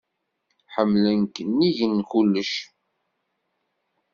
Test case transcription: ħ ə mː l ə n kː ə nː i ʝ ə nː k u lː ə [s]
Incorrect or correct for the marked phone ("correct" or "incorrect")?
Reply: incorrect